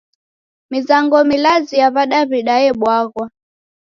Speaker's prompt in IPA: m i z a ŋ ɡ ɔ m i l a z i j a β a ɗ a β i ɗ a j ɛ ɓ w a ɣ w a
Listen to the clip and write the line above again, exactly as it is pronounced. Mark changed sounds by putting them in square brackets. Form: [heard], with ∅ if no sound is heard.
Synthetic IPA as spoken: m i z a ŋ ɡ ɔ m i l a z i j a β a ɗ a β i ɗ a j ɛ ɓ w a ɣ w a